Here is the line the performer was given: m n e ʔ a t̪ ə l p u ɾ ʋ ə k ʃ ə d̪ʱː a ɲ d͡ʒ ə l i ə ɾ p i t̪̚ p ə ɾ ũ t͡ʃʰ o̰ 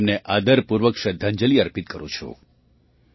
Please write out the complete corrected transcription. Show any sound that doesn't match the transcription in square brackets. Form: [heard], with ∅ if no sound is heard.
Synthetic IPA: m n e ʔ a [d̪] ə [ɾ] p u ɾ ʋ ə k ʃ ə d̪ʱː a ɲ d͡ʒ ə l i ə ɾ p i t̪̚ [k] ə ɾ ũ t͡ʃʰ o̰